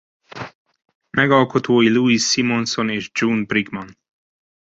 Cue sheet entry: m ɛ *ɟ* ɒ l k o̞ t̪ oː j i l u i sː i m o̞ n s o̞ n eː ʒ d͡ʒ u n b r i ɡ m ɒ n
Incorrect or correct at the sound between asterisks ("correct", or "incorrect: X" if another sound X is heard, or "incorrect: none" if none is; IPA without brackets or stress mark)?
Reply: incorrect: ɡ